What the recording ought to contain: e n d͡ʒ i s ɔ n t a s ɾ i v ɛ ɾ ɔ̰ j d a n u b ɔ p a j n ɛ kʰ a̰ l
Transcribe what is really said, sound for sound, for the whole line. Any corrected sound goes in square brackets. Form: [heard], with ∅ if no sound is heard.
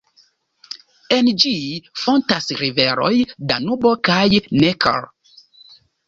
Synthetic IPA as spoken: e n d͡ʒ i [f] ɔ n t a s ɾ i v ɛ ɾ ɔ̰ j d a n u b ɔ [k] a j n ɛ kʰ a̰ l